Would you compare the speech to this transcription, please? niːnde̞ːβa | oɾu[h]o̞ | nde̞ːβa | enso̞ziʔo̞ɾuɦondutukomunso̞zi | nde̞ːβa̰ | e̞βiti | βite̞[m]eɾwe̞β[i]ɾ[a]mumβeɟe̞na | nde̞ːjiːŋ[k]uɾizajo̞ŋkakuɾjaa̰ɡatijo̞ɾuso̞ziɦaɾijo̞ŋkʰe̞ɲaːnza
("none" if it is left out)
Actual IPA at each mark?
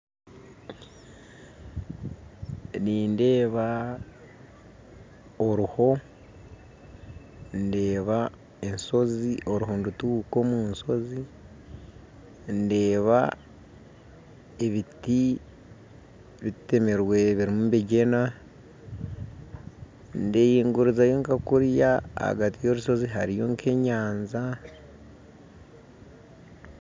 h, m, i, i, ɡ

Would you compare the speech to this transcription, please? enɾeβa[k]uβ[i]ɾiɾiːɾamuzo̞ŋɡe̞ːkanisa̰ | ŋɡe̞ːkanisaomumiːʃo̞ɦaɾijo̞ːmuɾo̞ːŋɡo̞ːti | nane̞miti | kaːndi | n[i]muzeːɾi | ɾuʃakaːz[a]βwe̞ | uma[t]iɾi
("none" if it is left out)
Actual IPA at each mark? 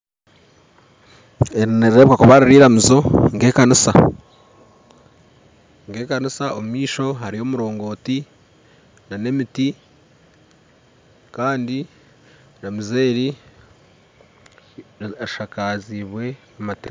k, a, a, i, t

